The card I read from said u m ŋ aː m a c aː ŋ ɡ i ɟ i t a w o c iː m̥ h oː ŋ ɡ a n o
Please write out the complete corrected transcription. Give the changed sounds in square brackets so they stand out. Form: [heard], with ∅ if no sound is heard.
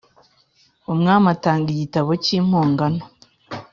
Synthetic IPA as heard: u m ŋ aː m a [t] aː ŋ ɡ i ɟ i t a [β] o c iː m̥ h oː ŋ ɡ a n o